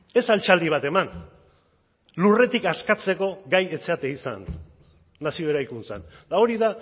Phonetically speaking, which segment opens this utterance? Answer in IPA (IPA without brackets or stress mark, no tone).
e̞